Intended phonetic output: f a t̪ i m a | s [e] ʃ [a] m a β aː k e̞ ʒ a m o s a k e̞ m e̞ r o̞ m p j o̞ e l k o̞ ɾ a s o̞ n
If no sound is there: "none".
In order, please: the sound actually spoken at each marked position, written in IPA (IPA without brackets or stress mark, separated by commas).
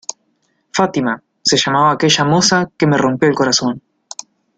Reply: e, a